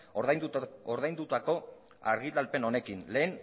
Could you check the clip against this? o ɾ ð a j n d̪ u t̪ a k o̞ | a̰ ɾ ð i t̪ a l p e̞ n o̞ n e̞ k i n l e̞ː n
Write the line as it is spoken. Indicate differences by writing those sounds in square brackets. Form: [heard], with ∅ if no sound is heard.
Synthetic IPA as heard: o ɾ ð a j n d̪ u t̪ a k o̞ | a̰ ɾ [ɣ] i t̪ a l p e̞ n o̞ n e̞ k i n l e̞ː n